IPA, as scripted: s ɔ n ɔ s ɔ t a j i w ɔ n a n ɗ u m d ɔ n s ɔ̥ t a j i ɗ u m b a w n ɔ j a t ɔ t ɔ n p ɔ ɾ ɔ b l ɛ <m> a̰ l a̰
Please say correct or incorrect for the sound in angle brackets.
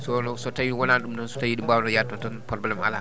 correct